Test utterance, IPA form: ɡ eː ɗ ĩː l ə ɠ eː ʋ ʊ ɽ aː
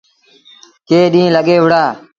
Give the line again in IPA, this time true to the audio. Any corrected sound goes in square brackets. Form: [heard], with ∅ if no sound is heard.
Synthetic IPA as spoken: [k] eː ɗ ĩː l ə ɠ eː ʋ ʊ ɽ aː